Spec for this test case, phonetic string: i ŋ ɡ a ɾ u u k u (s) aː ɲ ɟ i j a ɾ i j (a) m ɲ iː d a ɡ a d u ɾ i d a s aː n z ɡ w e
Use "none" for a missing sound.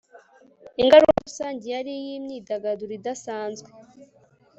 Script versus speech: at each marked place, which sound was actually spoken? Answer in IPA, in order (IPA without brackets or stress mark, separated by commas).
s, i